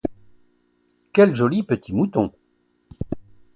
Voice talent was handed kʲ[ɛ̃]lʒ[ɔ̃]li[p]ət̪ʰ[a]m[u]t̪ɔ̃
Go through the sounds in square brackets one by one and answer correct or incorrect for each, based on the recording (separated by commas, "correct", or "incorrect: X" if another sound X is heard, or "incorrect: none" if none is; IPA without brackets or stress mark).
incorrect: ɛ, incorrect: ɔ, correct, incorrect: i, correct